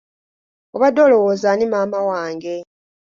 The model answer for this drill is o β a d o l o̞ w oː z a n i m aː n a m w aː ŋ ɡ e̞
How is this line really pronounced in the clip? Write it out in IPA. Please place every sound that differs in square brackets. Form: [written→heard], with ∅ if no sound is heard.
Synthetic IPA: o β a d o l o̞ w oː z a n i m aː [n→m] a [m→∅] w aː ŋ ɡ e̞